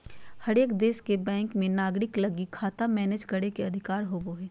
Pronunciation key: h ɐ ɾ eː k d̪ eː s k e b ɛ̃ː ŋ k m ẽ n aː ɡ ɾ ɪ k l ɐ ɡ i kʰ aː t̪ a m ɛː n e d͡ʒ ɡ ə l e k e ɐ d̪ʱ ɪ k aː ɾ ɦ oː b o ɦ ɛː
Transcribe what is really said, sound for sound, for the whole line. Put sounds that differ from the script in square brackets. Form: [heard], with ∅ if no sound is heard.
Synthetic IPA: h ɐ ɾ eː k d̪ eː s k e b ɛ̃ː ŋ k m ẽ n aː ɡ ɾ ɪ k l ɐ ɡ i kʰ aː t̪ a m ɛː n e d͡ʒ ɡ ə [ɽ] e k e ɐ d̪ʱ ɪ k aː ɾ ɦ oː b o ɦ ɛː